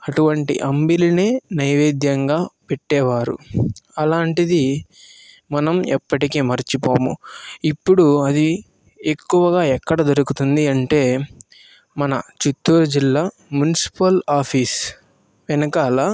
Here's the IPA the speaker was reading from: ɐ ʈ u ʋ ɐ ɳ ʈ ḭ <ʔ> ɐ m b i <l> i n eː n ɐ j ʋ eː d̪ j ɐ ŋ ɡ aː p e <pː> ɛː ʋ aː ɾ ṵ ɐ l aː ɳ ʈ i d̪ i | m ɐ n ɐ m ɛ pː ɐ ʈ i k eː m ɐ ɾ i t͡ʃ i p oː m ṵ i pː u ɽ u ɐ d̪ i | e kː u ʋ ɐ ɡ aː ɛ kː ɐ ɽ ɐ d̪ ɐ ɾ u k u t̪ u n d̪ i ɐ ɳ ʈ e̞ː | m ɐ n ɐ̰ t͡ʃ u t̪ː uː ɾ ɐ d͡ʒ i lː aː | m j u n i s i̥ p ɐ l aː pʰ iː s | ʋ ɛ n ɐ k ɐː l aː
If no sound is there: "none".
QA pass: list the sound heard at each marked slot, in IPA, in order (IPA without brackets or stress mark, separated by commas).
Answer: ʔ, l, ʈː